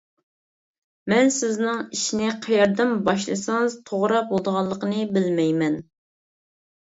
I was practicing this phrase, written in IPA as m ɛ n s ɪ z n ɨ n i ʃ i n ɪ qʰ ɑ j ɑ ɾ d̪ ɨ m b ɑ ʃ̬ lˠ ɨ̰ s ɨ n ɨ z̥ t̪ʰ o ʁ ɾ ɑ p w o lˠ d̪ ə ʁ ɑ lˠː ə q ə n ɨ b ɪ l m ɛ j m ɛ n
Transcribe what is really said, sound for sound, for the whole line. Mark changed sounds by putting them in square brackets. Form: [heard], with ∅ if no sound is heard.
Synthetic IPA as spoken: m ɛ n s ɪ z n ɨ [ŋ] i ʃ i n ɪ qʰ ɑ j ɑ ɾ d̪ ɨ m b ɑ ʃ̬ lˠ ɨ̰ s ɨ [ŋ] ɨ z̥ t̪ʰ o ʁ ɾ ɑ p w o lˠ d̪ ə ʁ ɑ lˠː ə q ə n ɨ b ɪ l m ɛ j m ɛ n